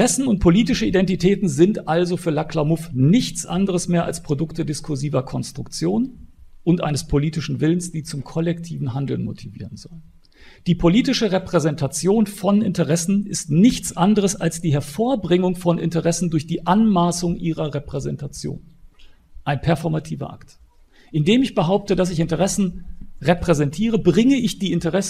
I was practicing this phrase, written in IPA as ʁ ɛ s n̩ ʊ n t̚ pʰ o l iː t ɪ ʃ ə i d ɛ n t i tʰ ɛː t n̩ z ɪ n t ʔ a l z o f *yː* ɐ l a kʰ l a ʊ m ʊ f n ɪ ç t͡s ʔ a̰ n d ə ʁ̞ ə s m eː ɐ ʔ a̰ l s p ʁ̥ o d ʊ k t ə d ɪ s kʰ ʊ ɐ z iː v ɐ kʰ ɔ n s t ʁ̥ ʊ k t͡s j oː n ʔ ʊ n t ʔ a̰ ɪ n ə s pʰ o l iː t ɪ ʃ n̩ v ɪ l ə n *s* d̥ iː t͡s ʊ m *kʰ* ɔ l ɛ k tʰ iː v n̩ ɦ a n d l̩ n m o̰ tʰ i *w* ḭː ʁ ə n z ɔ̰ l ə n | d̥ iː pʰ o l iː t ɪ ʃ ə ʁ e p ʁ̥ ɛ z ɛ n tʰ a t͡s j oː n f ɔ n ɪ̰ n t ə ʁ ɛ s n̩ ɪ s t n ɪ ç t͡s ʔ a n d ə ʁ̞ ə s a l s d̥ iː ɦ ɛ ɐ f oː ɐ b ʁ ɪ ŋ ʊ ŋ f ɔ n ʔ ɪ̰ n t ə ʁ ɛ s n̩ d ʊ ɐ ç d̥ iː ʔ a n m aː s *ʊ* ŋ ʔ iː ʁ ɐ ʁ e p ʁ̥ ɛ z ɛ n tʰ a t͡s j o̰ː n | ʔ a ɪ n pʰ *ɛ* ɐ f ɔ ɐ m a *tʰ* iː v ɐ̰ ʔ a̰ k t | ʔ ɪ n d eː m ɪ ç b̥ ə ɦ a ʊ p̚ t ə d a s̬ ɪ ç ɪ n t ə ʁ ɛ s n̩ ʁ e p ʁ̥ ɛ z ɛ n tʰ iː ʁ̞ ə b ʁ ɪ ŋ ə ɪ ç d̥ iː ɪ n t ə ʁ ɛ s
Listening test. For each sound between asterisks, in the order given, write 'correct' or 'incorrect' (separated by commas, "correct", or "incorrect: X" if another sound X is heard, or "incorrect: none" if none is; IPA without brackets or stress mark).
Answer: correct, correct, correct, incorrect: v, correct, correct, correct